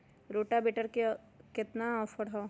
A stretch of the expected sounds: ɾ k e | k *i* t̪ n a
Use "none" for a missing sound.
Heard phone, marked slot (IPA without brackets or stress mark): ɪ